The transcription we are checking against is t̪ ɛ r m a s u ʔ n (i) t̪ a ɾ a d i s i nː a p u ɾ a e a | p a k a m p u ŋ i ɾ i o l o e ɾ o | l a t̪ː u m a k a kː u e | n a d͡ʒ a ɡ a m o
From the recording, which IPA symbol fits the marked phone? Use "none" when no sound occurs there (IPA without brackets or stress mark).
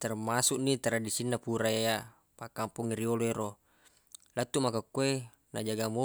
i